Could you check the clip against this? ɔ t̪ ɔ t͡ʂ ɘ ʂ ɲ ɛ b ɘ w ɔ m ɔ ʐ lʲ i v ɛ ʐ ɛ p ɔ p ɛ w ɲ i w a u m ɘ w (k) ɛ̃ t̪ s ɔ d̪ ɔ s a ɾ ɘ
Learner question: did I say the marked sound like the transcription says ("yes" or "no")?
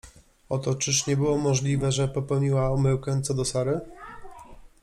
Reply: yes